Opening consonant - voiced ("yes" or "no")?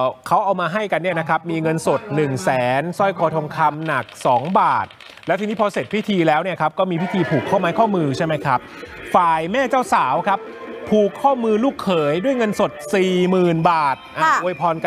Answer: no